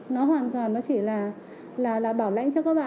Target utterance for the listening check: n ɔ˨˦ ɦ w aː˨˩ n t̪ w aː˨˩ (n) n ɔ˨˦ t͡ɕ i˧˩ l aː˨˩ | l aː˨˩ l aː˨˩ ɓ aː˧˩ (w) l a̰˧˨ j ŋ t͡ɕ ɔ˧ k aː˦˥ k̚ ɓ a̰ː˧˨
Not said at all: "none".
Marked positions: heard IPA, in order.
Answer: n, w

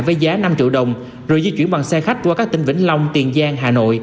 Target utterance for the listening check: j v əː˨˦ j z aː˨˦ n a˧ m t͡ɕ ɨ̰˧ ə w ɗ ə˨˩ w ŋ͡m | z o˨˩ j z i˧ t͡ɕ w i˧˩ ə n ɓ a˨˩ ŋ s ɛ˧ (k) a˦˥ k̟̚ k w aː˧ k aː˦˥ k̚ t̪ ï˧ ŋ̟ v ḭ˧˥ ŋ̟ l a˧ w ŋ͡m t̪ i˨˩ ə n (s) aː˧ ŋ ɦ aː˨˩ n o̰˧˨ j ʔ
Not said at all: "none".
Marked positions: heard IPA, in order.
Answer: x, z

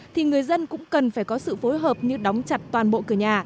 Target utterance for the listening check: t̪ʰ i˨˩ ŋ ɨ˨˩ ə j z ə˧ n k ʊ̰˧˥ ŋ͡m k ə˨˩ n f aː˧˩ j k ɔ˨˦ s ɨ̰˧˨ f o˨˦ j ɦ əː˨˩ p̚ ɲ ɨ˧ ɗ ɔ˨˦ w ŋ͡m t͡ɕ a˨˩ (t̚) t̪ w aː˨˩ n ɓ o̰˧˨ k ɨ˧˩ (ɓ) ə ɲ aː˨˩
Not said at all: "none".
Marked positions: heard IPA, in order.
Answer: t̚, none

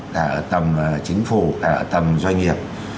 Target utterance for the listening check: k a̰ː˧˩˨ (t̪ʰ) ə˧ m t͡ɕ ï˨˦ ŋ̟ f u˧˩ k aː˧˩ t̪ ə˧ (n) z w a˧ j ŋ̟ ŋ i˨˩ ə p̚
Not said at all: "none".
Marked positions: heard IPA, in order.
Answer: t̪, m

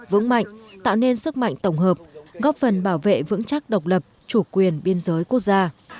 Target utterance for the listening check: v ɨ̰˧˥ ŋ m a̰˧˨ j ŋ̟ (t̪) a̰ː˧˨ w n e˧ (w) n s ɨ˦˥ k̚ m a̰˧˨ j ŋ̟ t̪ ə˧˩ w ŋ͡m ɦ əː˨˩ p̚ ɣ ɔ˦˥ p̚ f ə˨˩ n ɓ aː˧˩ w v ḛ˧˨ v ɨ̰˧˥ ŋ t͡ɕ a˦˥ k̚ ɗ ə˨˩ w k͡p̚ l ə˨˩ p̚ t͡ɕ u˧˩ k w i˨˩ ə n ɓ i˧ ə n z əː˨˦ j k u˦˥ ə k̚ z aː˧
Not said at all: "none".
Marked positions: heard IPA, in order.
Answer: t̪, none

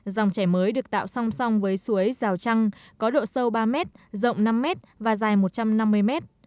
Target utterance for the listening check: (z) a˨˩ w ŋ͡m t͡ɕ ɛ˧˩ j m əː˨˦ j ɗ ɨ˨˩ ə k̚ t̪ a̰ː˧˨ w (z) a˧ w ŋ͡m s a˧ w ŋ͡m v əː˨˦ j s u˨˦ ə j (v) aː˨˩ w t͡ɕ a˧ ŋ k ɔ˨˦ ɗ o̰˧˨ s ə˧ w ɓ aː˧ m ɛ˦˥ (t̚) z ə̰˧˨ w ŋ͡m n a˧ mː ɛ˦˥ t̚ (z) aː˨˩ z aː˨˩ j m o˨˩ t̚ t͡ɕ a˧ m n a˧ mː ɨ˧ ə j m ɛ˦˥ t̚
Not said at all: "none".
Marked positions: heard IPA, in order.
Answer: z, s, z, t̚, v

